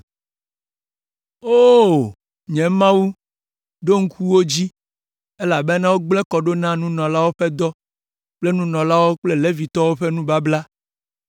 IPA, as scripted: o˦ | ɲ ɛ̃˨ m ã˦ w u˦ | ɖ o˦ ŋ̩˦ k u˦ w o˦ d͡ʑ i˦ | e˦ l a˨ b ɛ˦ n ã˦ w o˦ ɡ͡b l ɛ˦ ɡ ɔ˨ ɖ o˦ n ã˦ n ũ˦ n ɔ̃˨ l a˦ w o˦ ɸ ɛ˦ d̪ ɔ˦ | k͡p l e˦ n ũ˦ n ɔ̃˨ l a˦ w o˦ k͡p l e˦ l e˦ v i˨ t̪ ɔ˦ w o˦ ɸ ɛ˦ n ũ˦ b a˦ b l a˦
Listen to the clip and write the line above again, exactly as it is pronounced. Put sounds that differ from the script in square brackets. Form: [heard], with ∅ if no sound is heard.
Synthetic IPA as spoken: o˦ | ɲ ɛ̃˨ m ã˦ w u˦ | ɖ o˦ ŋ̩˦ k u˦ w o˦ d͡ʑ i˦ | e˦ l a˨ b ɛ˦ n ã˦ w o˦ ɡ͡b l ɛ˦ [k] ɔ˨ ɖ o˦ n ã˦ n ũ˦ n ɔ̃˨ l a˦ w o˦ ɸ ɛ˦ d̪ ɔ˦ | k͡p l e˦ n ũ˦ n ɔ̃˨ l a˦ w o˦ k͡p l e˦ l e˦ v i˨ t̪ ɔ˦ w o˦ ɸ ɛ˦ n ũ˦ b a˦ b l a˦